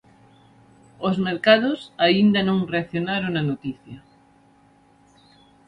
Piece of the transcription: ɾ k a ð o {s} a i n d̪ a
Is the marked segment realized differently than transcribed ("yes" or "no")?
no